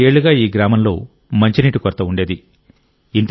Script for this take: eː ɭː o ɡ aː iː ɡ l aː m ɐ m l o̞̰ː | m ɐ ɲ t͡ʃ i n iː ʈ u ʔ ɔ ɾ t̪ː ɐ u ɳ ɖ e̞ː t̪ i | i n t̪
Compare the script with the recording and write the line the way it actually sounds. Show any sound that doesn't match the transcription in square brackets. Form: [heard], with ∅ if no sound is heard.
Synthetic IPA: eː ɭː [u] ɡ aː iː ɡ [ɾ] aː m ɐ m l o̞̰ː | m ɐ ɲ t͡ʃ i n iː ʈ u [k] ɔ ɾ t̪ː ɐ u ɳ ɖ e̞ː [d̪] i | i n t̪